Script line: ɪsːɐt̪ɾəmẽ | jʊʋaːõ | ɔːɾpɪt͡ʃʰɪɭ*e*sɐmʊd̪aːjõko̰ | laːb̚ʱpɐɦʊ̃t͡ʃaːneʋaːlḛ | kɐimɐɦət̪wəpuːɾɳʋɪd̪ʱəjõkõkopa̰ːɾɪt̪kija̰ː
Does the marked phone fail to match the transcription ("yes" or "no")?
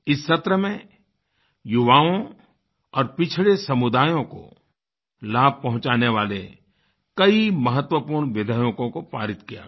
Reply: no